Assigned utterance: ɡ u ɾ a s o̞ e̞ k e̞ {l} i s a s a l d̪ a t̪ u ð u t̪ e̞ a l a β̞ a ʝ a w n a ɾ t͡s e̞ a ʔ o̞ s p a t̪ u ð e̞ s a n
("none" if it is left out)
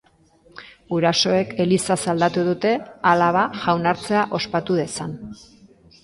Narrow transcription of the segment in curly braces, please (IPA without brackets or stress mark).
l